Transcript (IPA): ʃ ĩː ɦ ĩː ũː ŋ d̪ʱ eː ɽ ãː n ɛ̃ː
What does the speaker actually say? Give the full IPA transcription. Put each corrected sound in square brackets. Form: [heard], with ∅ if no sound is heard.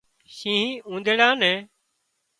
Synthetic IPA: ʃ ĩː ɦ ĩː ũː [n] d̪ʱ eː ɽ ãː n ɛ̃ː